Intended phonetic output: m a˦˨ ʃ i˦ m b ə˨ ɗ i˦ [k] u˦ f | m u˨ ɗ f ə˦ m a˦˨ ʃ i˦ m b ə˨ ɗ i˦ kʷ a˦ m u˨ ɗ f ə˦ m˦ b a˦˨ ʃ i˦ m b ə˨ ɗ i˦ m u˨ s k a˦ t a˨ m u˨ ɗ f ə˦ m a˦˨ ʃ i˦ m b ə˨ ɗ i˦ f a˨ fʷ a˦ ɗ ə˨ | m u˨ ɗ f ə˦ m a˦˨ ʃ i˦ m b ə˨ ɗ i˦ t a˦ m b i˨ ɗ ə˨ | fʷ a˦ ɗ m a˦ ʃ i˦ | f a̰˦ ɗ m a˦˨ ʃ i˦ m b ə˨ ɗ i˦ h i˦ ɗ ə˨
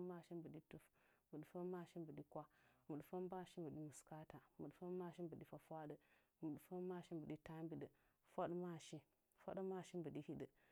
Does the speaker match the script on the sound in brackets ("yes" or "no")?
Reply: no